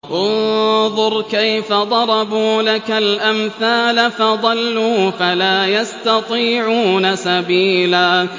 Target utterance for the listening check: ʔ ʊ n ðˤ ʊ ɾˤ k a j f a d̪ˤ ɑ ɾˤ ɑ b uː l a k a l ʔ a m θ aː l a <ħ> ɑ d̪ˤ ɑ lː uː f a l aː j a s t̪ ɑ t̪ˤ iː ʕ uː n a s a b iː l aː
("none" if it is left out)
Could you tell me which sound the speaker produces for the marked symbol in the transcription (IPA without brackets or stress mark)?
f